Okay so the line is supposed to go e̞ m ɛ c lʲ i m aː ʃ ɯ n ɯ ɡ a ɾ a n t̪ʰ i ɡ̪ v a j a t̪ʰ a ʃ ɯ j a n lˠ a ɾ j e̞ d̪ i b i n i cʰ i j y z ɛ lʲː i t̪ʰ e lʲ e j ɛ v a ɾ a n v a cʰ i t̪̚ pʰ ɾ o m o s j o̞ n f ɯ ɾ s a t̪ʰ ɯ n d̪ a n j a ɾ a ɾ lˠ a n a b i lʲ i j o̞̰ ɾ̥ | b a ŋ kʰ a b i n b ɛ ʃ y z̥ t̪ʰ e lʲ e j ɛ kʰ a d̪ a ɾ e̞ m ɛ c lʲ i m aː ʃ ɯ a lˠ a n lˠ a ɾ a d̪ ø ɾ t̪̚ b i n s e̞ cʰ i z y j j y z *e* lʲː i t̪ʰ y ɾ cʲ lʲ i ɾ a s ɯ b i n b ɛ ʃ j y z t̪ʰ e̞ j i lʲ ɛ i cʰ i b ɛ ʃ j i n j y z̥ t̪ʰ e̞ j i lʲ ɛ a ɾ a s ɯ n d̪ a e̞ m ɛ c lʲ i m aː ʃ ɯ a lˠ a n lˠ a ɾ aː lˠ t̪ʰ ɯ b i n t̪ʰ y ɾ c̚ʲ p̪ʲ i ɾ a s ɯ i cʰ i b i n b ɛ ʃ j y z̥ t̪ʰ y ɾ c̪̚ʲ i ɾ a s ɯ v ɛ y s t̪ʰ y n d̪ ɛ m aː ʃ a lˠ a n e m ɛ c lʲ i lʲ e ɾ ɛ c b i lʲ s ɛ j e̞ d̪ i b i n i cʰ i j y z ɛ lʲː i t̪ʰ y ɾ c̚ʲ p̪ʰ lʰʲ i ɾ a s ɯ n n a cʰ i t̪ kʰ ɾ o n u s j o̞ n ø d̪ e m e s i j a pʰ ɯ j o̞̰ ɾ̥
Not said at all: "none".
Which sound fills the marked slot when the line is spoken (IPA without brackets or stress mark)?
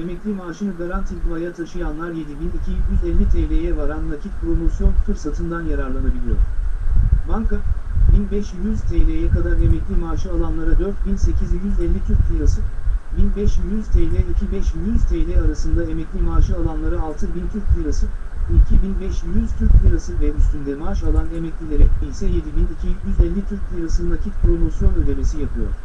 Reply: ɛ